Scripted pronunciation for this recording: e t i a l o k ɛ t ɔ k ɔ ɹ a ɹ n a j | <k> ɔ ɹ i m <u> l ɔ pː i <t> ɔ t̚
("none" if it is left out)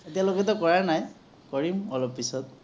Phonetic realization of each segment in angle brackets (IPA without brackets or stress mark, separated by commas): k, ɔ, s